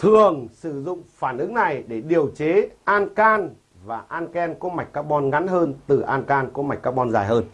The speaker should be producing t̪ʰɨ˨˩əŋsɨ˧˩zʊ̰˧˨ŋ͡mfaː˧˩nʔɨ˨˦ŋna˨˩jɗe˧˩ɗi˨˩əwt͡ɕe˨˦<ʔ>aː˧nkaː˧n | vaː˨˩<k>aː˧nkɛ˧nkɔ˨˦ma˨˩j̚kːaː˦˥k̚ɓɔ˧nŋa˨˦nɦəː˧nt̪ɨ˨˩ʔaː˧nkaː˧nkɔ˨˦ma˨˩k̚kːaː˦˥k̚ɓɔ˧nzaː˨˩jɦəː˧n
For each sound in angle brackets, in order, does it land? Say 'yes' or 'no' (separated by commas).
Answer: yes, no